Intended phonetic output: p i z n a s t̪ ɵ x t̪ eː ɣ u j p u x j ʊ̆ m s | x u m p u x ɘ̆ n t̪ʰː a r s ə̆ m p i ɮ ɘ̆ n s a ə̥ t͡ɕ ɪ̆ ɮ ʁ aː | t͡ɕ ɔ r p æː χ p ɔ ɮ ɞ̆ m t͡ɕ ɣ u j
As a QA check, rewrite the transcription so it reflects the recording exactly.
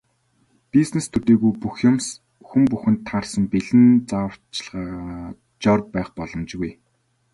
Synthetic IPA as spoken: p i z n e s t̪ʰ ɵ t̪ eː ɣ u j p u x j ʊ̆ m s | x u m p u x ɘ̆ n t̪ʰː a r s ə̆ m p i ɮ ɘ̆ n t͡s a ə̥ t͡ɕ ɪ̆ ɮ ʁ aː | t͡ɕ ɔ r p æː χ p ɔ ɮ ɞ̆ m t͡ɕ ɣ u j